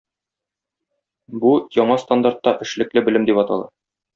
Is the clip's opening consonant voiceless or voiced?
voiced